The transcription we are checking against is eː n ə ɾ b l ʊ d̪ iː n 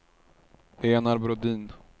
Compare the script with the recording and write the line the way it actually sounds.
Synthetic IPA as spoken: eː n a ɾ b ɾ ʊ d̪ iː n